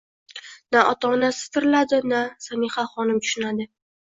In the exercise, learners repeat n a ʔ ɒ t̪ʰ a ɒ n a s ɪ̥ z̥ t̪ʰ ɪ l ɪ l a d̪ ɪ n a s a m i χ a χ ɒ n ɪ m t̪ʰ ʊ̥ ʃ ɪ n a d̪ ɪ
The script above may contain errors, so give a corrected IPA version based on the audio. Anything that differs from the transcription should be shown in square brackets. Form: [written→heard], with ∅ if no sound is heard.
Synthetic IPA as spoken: n a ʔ ɒ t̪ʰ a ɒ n a s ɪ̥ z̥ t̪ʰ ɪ [l→ɾ] ɪ l a d̪ ɪ n a s a m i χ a χ ɒ n ɪ m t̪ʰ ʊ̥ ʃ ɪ n a d̪ ɪ